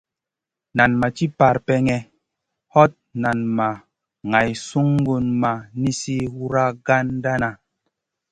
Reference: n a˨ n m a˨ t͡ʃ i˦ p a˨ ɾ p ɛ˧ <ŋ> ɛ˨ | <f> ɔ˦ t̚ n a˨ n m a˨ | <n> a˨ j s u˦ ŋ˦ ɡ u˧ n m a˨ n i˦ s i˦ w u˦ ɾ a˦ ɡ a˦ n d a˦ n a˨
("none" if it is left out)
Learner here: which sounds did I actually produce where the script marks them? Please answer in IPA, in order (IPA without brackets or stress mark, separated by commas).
ŋ, h, ŋ